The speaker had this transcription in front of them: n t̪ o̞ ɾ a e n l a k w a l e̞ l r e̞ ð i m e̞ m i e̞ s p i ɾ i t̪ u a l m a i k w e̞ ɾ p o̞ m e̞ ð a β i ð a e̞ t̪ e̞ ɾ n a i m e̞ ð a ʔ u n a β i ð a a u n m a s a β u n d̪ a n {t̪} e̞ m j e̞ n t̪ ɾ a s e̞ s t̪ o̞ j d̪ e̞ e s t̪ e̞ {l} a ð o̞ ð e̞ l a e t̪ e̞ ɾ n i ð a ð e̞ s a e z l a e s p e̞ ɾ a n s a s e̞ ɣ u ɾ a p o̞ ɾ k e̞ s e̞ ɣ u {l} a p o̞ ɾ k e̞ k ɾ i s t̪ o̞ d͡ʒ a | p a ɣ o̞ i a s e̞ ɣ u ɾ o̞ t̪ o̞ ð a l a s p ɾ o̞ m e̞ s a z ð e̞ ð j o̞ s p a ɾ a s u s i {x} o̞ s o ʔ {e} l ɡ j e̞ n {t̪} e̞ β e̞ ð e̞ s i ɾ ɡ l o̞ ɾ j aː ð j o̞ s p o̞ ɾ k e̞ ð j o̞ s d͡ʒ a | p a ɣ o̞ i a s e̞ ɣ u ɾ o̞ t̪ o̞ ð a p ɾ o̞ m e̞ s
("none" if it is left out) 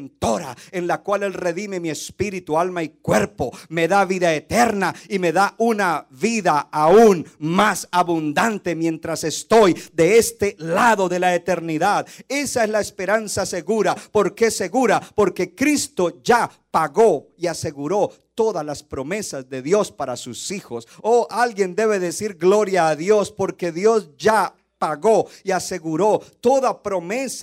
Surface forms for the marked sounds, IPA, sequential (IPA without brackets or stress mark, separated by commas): t̪, l, ɾ, x, a, d̪